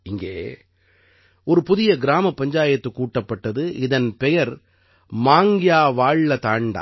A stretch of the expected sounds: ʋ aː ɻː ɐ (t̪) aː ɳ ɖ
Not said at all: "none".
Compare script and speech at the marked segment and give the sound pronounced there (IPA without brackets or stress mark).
t̪